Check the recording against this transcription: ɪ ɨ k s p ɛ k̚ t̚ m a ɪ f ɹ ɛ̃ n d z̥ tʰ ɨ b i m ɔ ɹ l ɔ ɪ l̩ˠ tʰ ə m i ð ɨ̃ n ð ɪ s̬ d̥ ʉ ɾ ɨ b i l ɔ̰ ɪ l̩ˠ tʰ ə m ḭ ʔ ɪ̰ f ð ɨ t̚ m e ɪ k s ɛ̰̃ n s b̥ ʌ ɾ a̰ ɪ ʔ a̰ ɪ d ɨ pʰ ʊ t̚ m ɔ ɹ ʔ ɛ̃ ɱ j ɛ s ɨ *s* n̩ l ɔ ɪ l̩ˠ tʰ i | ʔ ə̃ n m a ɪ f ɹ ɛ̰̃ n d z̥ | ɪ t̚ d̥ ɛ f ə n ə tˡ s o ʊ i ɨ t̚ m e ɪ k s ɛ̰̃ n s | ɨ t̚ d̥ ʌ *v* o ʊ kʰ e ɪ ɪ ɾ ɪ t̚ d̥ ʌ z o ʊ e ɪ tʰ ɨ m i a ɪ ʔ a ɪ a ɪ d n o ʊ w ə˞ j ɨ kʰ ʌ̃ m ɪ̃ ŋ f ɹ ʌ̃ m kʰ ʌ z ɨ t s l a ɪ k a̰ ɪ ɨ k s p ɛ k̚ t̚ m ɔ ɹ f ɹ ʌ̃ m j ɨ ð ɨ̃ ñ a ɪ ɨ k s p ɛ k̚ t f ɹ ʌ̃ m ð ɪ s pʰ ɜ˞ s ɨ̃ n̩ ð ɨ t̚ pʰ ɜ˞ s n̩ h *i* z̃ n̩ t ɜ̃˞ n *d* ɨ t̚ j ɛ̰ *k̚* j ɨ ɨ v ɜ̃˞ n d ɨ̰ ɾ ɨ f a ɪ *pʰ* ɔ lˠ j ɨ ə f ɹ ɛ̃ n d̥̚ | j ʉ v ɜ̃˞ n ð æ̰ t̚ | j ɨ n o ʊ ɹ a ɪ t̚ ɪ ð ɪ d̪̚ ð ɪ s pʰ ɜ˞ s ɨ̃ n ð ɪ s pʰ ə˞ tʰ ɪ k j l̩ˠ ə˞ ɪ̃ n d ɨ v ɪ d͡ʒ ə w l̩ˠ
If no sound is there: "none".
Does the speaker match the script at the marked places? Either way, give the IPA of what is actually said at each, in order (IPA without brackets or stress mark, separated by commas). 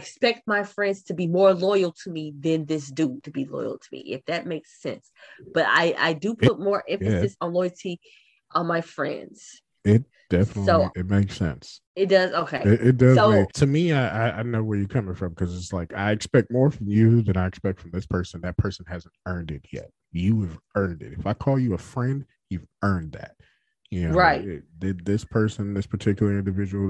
s, z, æ, d, t̚, kʰ